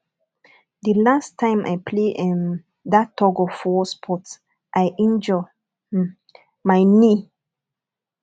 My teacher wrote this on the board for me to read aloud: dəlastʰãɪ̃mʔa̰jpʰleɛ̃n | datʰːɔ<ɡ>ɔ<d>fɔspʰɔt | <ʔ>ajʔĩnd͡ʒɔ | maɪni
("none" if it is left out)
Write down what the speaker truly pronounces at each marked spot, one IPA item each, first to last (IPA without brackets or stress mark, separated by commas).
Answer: ɡ, none, ʔ